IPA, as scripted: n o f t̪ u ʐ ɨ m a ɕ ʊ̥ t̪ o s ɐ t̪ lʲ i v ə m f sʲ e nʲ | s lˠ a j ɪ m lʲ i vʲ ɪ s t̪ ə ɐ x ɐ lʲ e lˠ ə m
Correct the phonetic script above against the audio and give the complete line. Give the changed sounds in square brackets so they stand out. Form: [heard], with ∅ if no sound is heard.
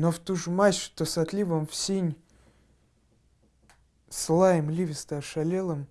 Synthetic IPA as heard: n o f t̪ u ʐ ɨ m a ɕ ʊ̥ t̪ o s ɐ t̪ lʲ i v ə m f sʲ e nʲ | s lˠ a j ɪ m lʲ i vʲ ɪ s t̪ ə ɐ [ʂ] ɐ lʲ e lˠ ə m